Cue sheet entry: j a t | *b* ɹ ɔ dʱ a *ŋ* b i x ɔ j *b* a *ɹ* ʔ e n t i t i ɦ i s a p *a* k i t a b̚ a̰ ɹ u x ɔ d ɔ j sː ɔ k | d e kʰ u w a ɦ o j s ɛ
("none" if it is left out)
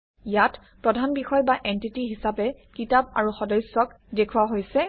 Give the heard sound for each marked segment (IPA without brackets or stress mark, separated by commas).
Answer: p, n, b, none, ɛ